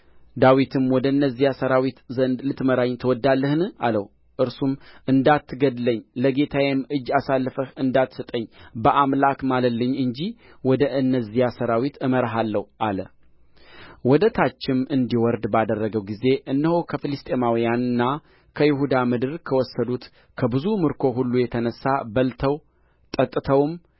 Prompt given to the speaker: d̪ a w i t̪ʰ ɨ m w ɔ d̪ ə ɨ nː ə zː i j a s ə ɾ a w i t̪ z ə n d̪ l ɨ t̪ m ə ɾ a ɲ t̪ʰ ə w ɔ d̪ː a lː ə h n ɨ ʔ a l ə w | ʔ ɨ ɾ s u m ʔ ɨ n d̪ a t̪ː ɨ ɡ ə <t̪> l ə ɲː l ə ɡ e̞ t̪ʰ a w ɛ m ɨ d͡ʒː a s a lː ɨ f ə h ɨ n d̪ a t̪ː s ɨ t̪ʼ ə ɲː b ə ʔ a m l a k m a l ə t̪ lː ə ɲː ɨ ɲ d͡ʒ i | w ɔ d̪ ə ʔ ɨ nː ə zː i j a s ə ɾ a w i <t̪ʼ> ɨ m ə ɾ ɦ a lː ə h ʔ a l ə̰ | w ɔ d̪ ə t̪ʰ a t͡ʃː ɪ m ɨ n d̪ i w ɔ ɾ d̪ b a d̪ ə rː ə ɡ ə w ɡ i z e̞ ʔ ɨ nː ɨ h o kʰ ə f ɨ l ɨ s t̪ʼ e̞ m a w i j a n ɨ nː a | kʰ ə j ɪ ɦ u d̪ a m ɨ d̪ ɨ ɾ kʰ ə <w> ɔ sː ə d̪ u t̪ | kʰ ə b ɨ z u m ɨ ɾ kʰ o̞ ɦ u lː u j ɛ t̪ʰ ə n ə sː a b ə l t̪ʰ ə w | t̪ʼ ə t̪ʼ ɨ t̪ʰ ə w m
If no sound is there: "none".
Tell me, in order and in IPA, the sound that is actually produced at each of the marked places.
d̪, t̪, w

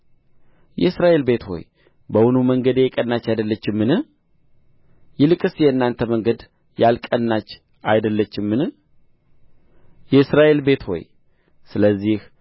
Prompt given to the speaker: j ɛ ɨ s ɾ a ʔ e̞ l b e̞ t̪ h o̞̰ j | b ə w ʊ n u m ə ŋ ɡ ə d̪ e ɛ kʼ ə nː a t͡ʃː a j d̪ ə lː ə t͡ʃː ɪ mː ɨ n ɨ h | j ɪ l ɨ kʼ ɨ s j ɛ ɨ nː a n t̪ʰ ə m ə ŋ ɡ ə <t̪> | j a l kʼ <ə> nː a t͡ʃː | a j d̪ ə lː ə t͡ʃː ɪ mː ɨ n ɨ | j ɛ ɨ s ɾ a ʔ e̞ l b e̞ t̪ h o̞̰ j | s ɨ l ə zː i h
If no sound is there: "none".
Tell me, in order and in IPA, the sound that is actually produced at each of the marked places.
d̪, ə

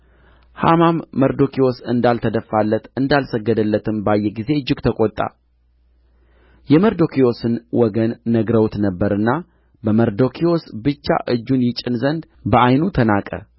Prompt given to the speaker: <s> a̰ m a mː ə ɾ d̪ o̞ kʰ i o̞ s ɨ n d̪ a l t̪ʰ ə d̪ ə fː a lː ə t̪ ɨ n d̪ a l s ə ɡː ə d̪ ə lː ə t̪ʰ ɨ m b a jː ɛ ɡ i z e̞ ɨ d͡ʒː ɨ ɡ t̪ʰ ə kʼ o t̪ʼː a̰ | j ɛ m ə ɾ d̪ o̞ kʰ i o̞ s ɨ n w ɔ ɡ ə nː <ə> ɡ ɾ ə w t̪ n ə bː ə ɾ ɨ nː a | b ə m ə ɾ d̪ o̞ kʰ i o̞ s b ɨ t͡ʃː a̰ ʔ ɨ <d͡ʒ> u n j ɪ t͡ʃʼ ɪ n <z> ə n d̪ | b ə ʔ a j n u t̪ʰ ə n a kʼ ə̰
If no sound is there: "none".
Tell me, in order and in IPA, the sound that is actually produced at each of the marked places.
h, ə, d͡ʒː, z

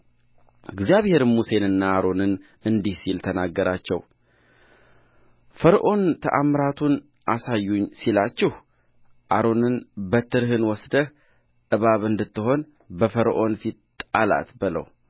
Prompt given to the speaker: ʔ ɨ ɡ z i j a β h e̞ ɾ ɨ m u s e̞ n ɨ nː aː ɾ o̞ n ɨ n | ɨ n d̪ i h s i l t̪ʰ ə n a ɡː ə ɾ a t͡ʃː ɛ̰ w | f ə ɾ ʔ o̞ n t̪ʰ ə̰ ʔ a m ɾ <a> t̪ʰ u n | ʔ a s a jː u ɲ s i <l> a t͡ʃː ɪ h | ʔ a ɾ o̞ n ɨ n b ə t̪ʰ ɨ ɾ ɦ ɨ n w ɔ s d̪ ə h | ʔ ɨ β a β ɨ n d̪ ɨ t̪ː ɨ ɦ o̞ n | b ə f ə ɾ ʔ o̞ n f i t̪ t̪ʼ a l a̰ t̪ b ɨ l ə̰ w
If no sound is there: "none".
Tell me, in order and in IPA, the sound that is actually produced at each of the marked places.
a, l

